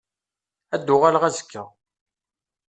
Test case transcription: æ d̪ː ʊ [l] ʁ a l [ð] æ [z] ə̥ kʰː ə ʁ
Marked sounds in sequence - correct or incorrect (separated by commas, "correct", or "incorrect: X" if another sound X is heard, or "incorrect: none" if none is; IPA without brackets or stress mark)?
incorrect: none, incorrect: ʁ, correct